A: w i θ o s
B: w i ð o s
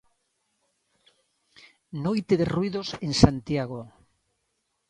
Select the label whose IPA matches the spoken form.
B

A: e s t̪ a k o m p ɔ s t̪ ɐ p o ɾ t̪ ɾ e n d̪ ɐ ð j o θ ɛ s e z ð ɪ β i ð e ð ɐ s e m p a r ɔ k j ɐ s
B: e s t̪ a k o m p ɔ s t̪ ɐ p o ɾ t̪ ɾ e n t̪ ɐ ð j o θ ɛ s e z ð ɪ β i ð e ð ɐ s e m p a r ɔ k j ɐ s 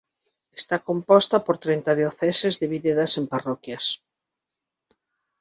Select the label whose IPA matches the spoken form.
B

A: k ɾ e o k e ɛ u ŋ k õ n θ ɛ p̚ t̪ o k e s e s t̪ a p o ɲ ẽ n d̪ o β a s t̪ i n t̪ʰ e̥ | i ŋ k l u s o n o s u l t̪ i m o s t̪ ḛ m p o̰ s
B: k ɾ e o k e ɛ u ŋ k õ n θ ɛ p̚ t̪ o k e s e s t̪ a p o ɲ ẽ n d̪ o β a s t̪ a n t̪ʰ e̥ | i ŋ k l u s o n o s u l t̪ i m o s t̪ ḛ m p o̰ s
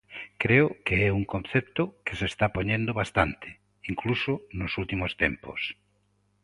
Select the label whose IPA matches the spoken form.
B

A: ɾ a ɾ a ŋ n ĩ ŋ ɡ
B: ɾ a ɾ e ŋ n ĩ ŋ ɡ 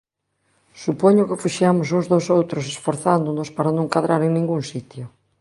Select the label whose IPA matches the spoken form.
B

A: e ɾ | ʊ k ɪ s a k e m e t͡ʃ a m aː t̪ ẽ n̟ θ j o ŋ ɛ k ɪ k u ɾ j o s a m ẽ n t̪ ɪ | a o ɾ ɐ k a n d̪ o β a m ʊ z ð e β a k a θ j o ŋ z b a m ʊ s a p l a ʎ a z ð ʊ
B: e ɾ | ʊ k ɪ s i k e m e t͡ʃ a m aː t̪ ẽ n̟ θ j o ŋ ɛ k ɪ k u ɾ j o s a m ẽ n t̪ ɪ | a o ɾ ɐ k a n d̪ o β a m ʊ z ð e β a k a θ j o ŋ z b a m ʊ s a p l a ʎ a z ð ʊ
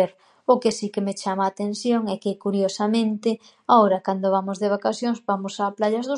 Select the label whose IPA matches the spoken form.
B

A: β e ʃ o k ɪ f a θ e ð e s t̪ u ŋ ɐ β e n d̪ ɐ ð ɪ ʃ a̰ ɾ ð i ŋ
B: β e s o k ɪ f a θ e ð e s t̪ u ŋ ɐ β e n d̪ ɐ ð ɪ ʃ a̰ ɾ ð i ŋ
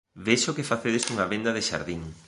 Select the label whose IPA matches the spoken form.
A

